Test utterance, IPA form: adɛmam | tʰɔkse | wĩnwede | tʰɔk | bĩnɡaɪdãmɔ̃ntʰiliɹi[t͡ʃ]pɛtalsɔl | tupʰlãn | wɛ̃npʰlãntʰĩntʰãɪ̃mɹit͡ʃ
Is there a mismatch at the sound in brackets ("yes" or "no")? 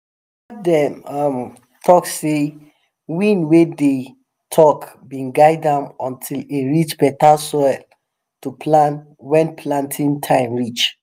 no